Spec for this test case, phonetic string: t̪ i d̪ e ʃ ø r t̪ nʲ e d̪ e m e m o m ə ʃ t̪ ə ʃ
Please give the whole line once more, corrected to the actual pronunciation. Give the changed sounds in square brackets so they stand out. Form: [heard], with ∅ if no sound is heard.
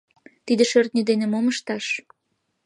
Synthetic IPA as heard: t̪ i d̪ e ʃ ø r t̪ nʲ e d̪ e [n] e m o m ə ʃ t̪ [ɑ] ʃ